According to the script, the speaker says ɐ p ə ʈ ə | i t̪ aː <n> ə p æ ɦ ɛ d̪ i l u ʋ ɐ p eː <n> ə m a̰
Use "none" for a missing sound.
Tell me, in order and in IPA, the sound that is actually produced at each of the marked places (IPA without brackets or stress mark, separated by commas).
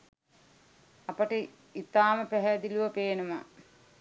m, n